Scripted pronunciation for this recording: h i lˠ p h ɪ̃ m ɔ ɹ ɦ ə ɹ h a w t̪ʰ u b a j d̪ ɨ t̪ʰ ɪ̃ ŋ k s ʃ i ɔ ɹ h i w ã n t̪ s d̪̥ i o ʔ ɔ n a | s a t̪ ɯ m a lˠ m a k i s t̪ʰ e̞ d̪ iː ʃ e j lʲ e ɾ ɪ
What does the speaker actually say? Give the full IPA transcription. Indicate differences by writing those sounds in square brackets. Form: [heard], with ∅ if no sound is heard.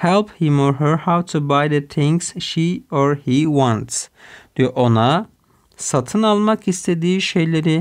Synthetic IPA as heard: h [ɛ] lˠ p h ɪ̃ m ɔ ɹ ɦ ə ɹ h a w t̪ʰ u b a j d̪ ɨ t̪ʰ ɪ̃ ŋ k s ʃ i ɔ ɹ h i w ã n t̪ s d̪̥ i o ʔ [o] n a | s a [t̪ʰ] ɯ [n] a lˠ m a k i s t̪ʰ e̞ d̪ iː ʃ e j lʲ e ɾ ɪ